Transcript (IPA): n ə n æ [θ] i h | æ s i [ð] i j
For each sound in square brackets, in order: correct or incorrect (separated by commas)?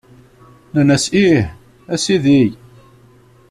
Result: incorrect, correct